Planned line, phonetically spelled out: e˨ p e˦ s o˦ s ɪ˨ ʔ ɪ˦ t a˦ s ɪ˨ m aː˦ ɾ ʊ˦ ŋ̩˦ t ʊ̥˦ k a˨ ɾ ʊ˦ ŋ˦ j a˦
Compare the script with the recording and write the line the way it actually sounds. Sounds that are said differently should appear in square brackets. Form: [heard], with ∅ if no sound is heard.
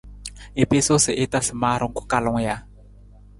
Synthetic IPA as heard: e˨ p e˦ s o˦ s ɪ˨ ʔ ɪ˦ t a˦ s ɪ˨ m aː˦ ɾ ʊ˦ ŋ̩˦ [k] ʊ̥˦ k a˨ [l] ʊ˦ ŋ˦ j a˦

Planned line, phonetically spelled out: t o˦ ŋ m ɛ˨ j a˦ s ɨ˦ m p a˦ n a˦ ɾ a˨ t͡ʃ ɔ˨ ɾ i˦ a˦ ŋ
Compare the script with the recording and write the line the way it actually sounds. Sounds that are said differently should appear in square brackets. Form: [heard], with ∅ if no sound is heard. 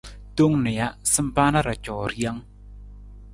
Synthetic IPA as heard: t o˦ ŋ [n] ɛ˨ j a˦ s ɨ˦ m p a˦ n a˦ ɾ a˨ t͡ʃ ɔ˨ ɾ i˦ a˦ ŋ

